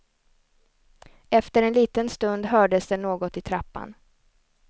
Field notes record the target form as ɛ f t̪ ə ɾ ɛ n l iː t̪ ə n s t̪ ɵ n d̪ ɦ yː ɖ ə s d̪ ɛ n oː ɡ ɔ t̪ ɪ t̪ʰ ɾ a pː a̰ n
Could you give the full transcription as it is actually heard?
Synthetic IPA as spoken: ɛ f t̪ ə ɾ ɛ n l iː t̪ ə n s t̪ ɵ n d̪ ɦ œː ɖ ə s d̪ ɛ n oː ɡ ɔ t̪ ɪ t̪ʰ ɾ a pː a̰ n

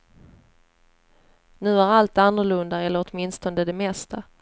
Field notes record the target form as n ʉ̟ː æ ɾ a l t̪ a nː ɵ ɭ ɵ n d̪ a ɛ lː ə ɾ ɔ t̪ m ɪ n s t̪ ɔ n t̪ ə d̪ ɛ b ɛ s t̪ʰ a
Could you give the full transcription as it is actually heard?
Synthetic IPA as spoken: n ʉ̟ː æ ɾ a l t̪ a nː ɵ ɭ ɵ n d̪ a ɛ lː ə ɾ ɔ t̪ m ɪ n s t̪ ɔ n d̪ ə d̪ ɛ m ɛ s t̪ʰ a

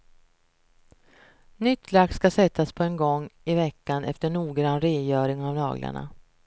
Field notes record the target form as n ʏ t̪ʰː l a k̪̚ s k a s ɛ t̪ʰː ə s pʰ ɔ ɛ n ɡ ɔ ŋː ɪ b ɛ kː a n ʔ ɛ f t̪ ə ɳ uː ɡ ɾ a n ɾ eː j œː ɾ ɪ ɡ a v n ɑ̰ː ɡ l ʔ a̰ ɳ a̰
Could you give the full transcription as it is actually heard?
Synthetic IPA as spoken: n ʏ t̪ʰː l a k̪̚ s k a s ɛ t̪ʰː a s pʰ ɔ ɛ n ɡ ɔ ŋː ɪ v ɛ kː a n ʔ ɛ f t̪ ə ɳ uː ɡ ɾ a n ɾ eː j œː ɾ ɪ ŋ a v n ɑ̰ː ɡ l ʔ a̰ ɳ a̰

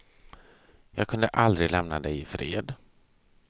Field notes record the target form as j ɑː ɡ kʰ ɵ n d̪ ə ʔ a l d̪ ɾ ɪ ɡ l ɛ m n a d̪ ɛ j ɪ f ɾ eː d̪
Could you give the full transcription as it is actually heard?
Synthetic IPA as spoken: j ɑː ɡ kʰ ɵ n d̪ ə ʔ a l d̪ ɾ ɪ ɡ l ɛ m n a d̪ ɛ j ɪ f ɾ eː d̪

